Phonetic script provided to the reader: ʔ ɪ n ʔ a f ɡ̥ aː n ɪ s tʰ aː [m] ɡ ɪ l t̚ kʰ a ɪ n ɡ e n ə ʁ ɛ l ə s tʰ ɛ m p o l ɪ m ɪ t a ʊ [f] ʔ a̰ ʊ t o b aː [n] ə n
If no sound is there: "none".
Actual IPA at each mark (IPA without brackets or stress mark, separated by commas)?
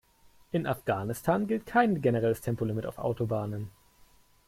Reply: n, f, n